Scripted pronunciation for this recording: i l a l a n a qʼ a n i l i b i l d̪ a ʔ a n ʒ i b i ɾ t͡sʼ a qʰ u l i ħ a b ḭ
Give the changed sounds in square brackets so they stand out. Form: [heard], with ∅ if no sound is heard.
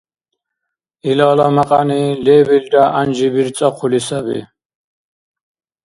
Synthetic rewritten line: i l a l a [m] a qʼ a n i l [ɛ] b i l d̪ a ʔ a n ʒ i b i ɾ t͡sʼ a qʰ u l i [s] a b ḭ